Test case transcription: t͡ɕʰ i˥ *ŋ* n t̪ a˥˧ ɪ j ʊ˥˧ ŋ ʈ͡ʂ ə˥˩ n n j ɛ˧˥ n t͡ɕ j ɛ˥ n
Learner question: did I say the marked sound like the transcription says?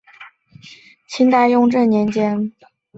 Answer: no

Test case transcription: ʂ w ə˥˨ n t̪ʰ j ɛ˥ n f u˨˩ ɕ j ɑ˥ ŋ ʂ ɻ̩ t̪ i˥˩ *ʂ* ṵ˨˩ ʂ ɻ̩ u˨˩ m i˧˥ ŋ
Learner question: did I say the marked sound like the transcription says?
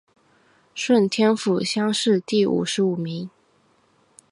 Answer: no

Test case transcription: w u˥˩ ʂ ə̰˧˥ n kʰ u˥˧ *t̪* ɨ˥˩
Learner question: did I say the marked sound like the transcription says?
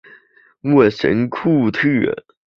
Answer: no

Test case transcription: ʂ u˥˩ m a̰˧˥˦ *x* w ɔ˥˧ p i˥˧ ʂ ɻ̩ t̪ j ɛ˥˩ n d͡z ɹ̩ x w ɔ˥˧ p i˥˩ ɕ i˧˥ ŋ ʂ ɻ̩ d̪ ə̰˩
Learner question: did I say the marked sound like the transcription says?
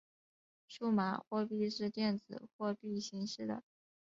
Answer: yes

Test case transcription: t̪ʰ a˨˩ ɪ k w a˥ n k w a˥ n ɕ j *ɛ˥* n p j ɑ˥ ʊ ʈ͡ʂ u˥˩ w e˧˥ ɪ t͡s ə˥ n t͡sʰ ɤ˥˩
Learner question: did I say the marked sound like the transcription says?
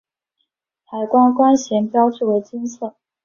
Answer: no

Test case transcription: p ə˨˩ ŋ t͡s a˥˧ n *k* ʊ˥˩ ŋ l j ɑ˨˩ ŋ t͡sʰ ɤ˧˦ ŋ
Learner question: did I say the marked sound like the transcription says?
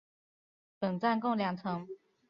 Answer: yes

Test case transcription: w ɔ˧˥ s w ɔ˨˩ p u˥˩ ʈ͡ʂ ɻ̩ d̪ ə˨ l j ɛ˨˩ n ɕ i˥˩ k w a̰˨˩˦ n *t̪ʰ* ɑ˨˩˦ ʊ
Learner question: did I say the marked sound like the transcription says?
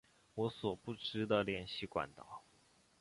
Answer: no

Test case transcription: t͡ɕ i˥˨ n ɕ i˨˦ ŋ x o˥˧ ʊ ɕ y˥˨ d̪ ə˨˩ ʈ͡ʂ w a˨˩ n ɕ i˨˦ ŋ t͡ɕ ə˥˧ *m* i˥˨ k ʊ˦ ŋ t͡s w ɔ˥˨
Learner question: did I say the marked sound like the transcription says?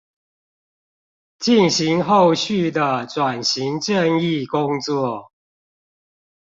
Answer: no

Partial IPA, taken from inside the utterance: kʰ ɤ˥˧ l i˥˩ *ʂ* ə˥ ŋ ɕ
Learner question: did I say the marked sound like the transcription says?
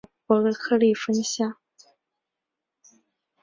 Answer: no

